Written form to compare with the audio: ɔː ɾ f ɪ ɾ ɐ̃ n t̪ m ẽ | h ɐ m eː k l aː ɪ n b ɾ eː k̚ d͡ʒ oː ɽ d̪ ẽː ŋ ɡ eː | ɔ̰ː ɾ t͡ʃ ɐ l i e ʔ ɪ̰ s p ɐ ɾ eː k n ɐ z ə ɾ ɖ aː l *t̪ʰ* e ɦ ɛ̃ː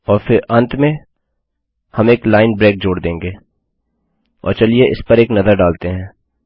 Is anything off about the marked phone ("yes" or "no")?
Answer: yes